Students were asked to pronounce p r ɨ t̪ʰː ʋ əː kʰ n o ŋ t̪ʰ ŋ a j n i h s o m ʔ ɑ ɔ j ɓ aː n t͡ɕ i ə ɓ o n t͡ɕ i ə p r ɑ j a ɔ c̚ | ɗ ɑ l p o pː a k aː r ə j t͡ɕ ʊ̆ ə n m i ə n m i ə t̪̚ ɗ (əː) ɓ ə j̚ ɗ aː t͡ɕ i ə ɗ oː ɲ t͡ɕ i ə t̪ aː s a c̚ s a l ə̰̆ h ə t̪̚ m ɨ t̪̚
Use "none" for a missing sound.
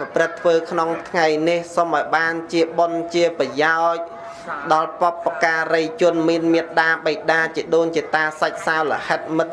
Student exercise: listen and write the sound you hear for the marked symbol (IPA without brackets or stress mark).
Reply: aː